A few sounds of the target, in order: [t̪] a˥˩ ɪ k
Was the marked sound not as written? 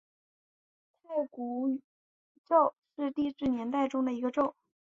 yes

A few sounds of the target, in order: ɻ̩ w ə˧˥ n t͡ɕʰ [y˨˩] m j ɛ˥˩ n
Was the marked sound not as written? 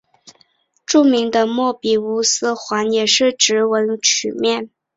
no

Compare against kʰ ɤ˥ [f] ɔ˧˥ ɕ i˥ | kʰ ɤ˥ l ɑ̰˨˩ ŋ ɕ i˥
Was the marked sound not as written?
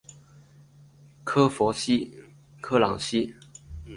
no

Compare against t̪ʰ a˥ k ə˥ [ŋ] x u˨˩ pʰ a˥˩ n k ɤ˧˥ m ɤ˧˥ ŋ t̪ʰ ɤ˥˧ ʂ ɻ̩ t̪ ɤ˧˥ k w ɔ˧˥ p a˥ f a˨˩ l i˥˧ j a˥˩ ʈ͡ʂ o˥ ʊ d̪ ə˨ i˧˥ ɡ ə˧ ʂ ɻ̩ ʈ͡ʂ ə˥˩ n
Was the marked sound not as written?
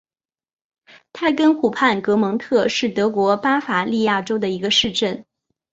yes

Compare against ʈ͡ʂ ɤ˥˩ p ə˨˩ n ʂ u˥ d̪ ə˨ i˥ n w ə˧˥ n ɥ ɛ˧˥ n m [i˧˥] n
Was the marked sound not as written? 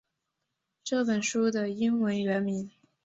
no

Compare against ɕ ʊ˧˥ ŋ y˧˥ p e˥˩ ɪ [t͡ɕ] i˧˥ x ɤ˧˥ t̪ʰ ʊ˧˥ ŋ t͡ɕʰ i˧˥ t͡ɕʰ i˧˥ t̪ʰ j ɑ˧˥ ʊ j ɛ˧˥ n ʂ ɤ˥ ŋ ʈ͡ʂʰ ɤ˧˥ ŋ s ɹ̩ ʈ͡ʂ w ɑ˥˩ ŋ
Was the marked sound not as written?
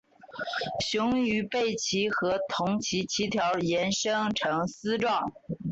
yes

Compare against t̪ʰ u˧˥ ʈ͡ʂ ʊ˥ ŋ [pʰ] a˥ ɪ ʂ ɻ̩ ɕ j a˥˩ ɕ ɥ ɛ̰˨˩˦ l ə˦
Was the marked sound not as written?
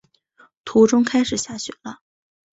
yes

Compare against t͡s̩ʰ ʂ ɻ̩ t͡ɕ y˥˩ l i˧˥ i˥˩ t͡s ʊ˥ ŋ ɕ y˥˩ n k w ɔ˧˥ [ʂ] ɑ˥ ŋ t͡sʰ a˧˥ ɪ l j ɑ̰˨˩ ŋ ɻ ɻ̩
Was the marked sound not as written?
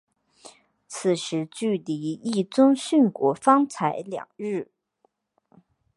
yes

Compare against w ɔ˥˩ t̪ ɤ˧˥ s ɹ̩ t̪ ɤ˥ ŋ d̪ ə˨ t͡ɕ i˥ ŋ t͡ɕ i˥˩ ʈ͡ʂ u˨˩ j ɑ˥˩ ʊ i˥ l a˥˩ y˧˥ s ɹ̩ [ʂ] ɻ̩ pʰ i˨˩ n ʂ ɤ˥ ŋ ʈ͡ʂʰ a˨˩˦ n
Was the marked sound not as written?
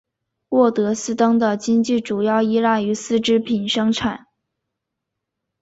yes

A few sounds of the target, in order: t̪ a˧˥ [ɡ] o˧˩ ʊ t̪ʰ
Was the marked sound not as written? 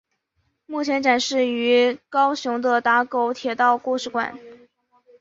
yes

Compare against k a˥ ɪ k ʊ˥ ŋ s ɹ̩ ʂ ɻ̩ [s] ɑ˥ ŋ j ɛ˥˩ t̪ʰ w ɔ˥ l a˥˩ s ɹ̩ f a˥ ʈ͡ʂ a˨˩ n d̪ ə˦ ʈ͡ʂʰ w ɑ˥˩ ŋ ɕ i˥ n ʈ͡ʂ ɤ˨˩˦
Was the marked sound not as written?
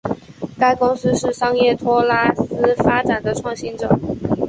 yes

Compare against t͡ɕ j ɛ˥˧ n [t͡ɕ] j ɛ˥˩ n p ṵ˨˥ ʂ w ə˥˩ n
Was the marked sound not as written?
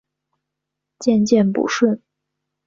no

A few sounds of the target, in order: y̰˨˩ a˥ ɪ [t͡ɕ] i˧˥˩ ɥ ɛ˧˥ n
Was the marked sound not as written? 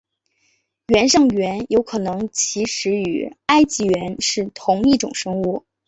no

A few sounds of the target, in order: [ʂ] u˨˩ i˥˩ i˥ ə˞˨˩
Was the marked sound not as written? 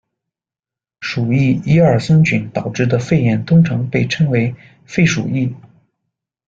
no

